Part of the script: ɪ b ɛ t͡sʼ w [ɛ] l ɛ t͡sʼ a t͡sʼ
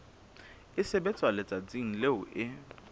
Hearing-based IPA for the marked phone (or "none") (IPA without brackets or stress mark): a